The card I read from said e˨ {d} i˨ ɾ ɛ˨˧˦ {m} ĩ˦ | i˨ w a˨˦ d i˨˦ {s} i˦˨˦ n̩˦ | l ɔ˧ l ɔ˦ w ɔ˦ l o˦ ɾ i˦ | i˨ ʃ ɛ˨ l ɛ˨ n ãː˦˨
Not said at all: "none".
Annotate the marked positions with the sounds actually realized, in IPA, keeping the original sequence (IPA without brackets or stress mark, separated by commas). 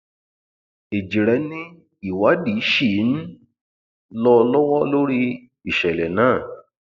d͡ʒ, n, ʃ